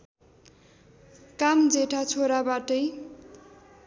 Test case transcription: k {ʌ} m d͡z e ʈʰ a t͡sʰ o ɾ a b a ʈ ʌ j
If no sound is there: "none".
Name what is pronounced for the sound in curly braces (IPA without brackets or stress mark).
a